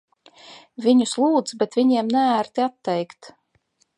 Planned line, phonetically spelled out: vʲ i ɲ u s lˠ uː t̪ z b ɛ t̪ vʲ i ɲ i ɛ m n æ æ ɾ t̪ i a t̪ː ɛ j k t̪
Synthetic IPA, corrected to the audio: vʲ i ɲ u s lˠ uː d̪ z b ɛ t̪ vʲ i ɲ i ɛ m n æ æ ɾ t̪ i a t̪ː ɛ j k t̪